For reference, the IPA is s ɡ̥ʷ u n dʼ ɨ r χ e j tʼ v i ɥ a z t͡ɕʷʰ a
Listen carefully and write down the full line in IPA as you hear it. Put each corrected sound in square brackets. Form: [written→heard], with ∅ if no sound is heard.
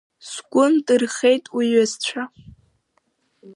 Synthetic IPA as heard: s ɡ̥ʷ [u→ʊ] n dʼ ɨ r χ e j tʼ [v→w] i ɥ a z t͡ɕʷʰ a